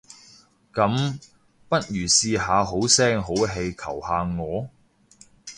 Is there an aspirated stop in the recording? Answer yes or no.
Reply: yes